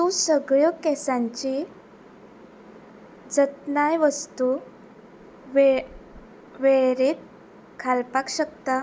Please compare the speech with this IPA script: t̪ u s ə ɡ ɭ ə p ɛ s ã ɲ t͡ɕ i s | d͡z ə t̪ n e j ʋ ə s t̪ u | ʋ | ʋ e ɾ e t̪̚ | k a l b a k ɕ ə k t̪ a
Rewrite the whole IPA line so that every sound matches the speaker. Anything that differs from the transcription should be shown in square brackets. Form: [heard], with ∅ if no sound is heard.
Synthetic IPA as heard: t̪ u s ə ɡ ɭ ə [k] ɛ s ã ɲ t͡ɕ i [∅] | d͡z ə t̪ n [a] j ʋ ə s t̪ u | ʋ | ʋ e ɾ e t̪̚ | [kʰ] a l [p] a k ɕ ə k t̪ a